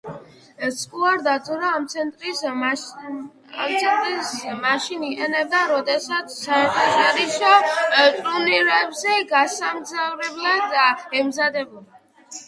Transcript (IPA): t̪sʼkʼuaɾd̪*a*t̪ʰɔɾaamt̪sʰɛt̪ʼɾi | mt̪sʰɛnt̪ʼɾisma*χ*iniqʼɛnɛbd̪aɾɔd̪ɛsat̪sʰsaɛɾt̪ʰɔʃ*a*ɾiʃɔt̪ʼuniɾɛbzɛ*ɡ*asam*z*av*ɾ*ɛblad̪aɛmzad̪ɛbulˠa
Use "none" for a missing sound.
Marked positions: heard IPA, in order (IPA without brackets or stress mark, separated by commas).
a, ʃ, a, ɡ, z, ɾ